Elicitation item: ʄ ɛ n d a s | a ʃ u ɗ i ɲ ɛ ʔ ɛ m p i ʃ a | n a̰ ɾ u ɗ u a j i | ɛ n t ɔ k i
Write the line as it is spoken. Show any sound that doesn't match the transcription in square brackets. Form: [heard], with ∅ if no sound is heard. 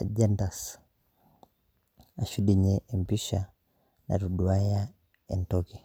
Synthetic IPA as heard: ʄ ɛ n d a s | a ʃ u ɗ i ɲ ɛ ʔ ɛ m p i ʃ a | n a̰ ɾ u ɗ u a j [a] | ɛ n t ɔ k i